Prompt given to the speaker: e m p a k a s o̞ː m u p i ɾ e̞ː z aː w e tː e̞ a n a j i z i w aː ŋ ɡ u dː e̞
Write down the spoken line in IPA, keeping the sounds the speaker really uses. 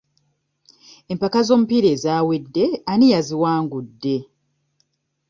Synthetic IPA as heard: e m p a k a z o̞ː m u p i ɾ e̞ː z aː w e dː e̞ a n i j a z i w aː ŋ ɡ u dː e̞